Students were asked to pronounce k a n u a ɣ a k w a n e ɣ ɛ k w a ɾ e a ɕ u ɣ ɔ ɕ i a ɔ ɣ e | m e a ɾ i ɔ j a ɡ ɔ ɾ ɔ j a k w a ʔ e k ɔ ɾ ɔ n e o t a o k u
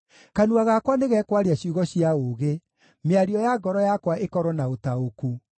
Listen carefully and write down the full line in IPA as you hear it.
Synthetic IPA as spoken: k a n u a ɣ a k w a n e ɣ ɛ k w a ɾ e a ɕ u ɣ ɔ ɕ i a o ɣ e | m e a ɾ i ɔ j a ɡ ɔ ɾ ɔ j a k w a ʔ e k ɔ ɾ ɔ n a o t a o k u

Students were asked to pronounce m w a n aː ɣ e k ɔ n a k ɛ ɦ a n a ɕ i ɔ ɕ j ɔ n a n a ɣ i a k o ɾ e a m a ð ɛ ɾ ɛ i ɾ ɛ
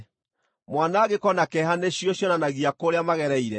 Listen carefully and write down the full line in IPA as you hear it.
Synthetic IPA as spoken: m w a n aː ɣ e k ɔ n a k ɛ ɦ a n e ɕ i ɔ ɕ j ɔ n a n a ɣ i a k o ɾ e a m a ɣ ɛ ɾ ɛ i ɾ ɛ

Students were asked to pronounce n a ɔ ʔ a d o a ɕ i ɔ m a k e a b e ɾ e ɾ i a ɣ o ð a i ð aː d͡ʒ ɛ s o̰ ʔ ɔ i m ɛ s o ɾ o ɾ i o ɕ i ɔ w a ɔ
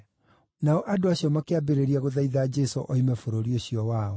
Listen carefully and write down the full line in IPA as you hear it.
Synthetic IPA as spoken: n a ɔ ʔ a d o a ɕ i ɔ m a k e a b e ɾ e ɾ i a ɣ o ð a i ð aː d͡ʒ ɛ s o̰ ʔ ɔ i m ɛ f o ɾ o ɾ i o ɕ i ɔ w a ɔ

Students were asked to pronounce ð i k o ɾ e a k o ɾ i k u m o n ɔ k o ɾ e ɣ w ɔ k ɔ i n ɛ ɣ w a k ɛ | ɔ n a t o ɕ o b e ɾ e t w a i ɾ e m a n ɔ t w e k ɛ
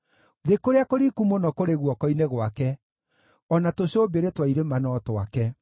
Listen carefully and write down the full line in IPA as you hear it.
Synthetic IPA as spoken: ð e k o ɾ e a k o ɾ i k u m o n ɔ k o ɾ e ɣ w ɔ k ɔ i n e ɣ w a k ɛ | ɔ n a t o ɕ o b e ɾ e t w a i ɾ e m a n ɔ t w a k ɛ

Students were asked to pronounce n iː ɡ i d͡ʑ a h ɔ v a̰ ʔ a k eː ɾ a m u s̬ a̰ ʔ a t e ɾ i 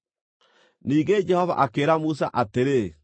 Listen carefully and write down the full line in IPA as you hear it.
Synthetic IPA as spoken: n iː ɡ e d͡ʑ ɛ h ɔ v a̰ ʔ a k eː ɾ a m u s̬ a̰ ʔ a t e ɾ e

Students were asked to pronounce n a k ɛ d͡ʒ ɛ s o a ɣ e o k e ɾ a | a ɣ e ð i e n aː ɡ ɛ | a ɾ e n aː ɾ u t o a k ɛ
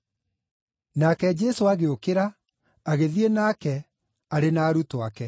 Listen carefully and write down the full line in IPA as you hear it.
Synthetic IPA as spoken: n a k ɛ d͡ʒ ɛ s o a ɣ e o k e ɾ a | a ɣ e ð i e n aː k ɛ | a ɾ e n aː ɾ u t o a k ɛ

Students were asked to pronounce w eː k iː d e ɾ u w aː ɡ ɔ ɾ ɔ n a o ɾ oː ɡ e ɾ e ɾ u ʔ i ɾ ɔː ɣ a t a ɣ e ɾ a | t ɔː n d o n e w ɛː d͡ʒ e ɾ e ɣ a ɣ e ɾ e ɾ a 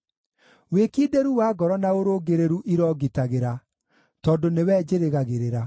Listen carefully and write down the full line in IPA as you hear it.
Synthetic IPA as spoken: w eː k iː d e ɾ u w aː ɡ ɔ ɾ ɔ n a o ɾ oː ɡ e ɾ e ɾ u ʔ i ɾ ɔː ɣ i t a ɣ e ɾ a | t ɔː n d o n e w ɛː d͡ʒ e ɾ e ɣ a ɣ e ɾ e ɾ a

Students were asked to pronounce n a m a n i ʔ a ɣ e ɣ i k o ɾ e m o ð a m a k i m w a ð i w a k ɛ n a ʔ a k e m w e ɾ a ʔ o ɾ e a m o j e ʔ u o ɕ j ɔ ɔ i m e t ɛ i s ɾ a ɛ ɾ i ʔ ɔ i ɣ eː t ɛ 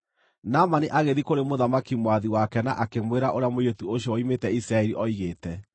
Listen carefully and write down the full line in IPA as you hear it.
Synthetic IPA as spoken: n a m a n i ʔ a ɣ e ð i k o ɾ e m o ð a m a k i m w a ð i w a k ɛ n a ʔ a k e m w e ɾ a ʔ o ɾ e a m o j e t u o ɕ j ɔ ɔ i m e t ɛ i s ɾ a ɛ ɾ i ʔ ɔ i ɣ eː t ɛ

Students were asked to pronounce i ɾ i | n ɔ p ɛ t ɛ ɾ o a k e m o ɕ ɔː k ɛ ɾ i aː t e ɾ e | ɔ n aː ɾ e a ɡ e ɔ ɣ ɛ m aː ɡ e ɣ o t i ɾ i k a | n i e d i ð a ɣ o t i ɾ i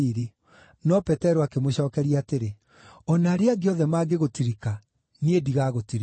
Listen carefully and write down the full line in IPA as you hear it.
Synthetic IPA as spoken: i ɾ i | n ɔ p ɛ t ɛ ɾ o a k e m o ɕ ɔː k ɛ ɾ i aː t e ɾ e | ɔ n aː ɾ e a ɡ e ɔ ð ɛ m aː ɡ e ɣ o t i ɾ i k a | n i e d i ɣ a ɣ o t i ɾ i

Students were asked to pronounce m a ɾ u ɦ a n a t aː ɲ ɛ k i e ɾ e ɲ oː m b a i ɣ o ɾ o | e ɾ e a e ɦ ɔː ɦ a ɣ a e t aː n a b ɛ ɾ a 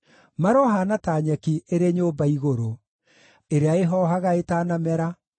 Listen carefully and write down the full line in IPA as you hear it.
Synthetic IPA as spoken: m a ɾ ɔ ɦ a n a t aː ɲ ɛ k i e ɾ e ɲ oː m b a i ɣ o ɾ o | e ɾ e a e ɦ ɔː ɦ a ɣ a e t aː n a m ɛ ɾ a

